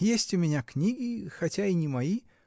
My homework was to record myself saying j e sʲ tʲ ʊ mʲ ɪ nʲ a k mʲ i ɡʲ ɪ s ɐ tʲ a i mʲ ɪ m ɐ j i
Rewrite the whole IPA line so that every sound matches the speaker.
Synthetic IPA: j e sʲ tʲ ʊ mʲ ɪ nʲ a k nʲ i ɡʲ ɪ x ɐ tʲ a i nʲ ɪ m ɐ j i